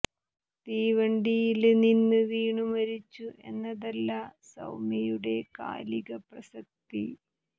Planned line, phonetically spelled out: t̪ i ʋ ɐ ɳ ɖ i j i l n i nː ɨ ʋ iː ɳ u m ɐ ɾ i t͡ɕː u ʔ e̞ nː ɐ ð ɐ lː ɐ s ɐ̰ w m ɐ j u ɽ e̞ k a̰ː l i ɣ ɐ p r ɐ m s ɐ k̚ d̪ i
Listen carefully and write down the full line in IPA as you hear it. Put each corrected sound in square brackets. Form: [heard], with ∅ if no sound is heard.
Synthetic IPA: t̪ [iː] ʋ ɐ ɳ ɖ i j i l n i nː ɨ ʋ iː ɳ u m ɐ ɾ i t͡ɕː u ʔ e̞ nː ɐ ð ɐ lː ɐ s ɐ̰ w m ɐ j u ɽ e̞ k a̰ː l i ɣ ɐ p r ɐ [∅] s ɐ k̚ [t̪] i